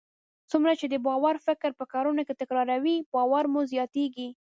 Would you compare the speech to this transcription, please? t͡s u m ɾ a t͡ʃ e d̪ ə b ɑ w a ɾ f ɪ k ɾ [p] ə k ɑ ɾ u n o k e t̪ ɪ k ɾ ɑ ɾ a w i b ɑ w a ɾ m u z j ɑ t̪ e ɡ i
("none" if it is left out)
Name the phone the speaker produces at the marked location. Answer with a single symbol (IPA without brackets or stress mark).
p